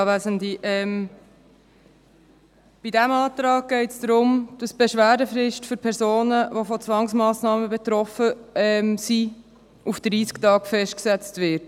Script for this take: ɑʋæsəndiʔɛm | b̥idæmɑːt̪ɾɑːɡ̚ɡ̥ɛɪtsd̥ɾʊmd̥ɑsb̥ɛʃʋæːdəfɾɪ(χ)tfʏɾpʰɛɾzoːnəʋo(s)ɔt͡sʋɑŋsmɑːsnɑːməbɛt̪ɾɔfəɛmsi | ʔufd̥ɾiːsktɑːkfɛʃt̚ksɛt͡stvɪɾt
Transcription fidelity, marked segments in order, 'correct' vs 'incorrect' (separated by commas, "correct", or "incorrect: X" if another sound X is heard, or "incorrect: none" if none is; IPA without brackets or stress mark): incorrect: ʃ, incorrect: f